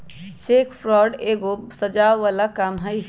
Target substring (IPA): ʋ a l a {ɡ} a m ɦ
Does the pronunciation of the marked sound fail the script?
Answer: yes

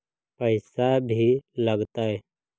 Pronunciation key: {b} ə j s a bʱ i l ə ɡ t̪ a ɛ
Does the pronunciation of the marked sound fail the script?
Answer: yes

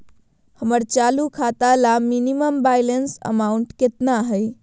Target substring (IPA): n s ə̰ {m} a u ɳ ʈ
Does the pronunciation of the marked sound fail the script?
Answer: no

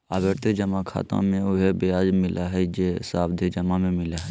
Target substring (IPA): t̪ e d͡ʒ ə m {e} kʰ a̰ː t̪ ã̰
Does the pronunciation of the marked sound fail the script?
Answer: yes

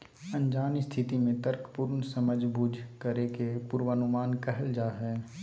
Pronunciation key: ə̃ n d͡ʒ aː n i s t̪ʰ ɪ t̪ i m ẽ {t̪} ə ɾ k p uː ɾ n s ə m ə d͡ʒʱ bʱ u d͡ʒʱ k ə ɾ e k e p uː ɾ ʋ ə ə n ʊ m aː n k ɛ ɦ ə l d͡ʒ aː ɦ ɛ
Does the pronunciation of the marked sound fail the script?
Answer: no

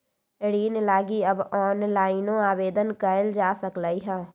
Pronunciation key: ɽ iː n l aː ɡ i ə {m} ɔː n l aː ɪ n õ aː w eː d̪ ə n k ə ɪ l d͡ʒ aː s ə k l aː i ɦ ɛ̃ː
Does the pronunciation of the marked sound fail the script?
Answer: yes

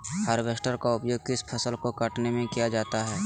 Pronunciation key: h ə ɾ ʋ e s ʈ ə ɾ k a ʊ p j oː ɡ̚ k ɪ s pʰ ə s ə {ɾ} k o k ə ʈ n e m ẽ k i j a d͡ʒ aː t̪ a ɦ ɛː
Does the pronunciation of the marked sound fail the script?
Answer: yes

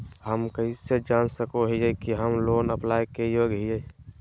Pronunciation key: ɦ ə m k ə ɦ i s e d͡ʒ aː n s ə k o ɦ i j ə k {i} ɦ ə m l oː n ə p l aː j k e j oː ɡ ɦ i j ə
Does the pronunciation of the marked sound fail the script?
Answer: no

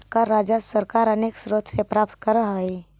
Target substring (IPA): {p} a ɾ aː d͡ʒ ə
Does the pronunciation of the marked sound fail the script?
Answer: yes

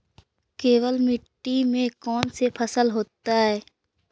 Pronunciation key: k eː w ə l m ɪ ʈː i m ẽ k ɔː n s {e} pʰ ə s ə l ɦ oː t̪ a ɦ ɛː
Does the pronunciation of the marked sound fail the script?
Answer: no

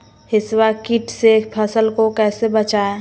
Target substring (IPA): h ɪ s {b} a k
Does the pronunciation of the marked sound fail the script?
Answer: yes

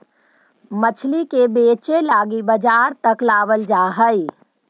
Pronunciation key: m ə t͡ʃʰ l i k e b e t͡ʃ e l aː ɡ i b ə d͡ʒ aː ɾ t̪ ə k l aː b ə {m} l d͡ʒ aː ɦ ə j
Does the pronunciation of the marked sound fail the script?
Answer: yes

